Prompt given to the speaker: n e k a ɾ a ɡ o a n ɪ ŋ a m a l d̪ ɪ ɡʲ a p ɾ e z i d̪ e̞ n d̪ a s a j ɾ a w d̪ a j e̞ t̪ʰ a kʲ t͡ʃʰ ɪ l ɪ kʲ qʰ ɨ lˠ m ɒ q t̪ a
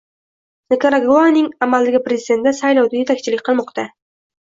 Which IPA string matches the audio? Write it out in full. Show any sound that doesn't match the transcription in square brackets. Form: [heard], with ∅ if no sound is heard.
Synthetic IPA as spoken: n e k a ɾ a ɡ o a n ɪ ŋ a m a l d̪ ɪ ɡʲ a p ɾ e z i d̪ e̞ n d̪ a s a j [l] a w d̪ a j e̞ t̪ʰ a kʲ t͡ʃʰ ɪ l ɪ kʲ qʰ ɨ lˠ m ɒ q t̪ a